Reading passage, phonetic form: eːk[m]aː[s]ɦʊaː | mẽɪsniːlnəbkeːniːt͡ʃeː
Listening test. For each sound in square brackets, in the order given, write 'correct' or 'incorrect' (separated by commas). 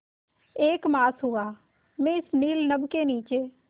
correct, correct